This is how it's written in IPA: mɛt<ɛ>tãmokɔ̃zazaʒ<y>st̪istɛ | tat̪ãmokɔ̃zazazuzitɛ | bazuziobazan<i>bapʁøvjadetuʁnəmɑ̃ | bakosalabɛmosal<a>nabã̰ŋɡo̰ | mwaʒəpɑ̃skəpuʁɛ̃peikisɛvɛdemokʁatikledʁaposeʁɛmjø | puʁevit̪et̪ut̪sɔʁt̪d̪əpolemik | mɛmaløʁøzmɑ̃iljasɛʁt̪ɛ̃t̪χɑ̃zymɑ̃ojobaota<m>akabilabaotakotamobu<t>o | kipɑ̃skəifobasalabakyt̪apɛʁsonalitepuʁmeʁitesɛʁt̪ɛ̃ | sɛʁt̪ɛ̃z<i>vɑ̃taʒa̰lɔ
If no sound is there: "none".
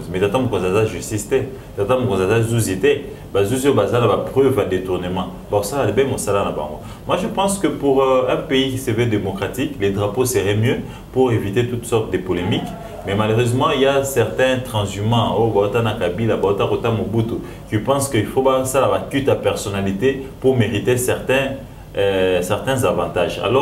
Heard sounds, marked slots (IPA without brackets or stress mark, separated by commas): a, y, a, a, n, t, a